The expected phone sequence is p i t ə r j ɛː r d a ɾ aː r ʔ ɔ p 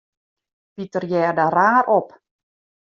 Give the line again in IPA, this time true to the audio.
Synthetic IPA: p i t ə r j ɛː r d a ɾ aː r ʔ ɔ p